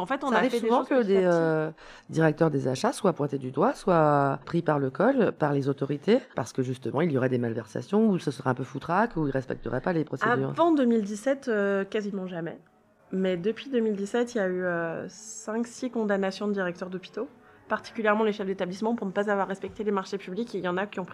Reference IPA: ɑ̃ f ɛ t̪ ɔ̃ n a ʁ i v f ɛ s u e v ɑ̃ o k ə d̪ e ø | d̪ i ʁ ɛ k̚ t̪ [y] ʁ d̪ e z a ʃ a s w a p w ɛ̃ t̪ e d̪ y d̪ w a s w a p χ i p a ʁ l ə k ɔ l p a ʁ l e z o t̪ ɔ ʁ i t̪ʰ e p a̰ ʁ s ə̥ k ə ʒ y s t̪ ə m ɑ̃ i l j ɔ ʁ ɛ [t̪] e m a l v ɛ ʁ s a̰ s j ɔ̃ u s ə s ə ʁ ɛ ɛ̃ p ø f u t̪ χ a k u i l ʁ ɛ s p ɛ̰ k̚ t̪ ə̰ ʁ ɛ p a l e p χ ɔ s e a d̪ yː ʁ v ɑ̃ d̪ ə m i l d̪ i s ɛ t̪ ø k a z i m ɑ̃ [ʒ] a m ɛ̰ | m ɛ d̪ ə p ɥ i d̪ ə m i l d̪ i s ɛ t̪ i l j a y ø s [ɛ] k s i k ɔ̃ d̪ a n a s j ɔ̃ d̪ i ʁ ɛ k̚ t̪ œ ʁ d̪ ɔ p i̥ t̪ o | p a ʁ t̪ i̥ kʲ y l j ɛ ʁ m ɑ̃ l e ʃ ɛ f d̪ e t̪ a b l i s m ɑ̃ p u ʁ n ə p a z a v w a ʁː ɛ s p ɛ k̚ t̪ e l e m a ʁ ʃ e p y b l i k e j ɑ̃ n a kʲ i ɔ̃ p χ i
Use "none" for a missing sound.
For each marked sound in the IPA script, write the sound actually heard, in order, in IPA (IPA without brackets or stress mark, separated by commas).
œ, d̪, ʒ, ɛ̃